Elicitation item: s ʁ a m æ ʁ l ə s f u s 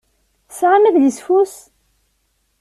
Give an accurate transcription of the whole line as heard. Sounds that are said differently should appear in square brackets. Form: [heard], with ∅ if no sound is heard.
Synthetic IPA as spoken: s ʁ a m æ [ð] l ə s f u s